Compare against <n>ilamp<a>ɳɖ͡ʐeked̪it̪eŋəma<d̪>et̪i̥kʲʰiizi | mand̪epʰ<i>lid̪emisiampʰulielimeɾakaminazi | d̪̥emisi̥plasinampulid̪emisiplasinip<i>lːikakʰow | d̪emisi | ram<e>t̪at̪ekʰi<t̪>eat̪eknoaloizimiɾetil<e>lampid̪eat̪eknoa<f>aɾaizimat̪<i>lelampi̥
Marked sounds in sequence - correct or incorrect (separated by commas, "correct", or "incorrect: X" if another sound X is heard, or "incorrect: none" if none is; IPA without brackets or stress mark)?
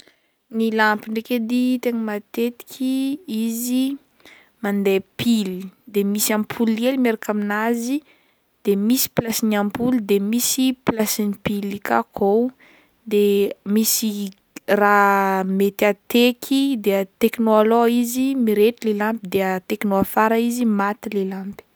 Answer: correct, incorrect: i, incorrect: t̪, correct, correct, correct, incorrect: d̪, correct, correct, correct